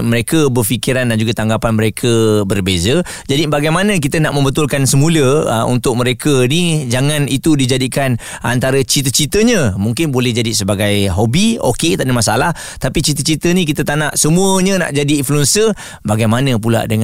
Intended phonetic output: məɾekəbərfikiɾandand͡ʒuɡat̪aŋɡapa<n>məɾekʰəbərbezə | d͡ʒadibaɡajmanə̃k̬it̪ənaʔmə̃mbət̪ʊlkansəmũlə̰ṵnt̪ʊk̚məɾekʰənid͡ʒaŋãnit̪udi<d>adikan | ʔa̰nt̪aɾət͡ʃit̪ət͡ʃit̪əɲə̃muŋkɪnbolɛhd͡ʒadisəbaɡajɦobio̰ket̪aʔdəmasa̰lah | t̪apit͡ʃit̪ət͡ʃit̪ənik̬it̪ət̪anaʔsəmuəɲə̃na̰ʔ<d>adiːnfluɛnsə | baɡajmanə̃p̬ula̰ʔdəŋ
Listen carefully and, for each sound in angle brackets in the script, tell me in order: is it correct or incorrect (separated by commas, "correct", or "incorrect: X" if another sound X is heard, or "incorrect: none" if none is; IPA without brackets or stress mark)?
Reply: correct, incorrect: d͡ʒ, incorrect: d͡ʒ